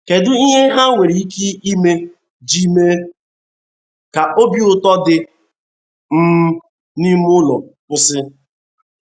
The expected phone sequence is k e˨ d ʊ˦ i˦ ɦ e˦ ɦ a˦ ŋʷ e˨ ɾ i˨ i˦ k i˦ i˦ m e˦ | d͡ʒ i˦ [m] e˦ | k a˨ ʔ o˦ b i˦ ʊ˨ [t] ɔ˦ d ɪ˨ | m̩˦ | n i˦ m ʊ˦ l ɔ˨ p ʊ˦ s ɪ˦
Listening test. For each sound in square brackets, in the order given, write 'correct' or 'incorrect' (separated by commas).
correct, correct